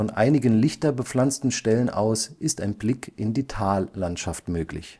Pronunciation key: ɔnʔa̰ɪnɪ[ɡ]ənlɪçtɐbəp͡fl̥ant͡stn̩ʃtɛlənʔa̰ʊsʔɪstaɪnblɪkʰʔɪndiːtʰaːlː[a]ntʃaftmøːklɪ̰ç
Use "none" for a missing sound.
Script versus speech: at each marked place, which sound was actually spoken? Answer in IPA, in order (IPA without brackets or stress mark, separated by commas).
ɡ, a